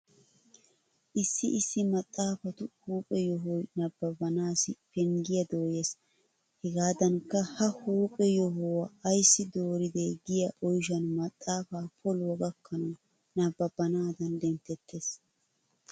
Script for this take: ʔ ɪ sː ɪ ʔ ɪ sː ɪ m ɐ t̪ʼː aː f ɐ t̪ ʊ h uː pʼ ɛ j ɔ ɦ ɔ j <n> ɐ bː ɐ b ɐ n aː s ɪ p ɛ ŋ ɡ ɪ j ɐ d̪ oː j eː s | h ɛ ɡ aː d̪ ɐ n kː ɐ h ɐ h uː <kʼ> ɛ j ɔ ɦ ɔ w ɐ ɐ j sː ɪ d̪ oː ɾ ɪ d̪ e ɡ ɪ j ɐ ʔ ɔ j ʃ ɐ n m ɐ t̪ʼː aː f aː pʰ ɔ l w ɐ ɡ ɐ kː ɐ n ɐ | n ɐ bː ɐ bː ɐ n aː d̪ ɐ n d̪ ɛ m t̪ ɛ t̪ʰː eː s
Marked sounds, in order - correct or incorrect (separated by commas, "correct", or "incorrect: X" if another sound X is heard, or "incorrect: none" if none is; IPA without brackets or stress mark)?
correct, incorrect: pʼ